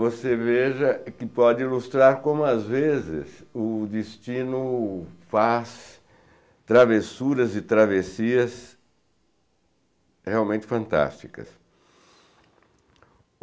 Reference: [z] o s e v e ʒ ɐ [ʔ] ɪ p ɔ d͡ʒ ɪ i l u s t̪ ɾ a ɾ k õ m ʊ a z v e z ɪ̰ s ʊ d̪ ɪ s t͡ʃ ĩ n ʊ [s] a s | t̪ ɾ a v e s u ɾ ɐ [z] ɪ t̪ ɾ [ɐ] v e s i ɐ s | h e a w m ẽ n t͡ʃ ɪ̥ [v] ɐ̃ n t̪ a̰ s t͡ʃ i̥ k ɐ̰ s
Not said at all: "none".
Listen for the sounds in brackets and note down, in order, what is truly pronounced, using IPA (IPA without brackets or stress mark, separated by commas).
v, k, f, z, a, f